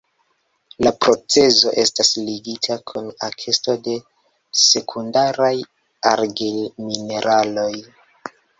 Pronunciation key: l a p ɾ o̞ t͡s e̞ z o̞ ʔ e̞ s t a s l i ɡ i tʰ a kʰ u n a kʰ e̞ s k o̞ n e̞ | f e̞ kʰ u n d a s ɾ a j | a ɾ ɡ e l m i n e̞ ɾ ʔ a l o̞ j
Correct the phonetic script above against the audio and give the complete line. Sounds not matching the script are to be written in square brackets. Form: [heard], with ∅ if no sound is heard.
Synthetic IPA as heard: l a p ɾ o̞ t͡s e̞ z o̞ ʔ e̞ s t a s l i ɡ i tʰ a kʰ u n a kʰ e̞ s [t] o̞ [d] e̞ | [s] e̞ kʰ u n d a [∅] ɾ a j | a ɾ ɡ e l m i n e̞ ɾ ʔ a l o̞ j